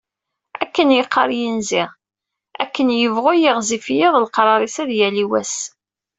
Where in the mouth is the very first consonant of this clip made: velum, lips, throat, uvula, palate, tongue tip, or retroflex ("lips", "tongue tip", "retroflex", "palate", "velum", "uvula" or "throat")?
velum